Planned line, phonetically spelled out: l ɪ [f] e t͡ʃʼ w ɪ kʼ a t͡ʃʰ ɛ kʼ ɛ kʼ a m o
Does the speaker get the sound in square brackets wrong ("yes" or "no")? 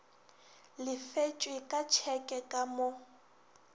no